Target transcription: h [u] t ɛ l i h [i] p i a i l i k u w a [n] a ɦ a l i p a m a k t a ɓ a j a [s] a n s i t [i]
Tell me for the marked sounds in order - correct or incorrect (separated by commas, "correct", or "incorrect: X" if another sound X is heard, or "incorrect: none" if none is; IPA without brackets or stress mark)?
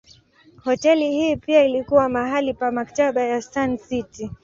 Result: incorrect: ɔ, incorrect: iː, incorrect: m, correct, correct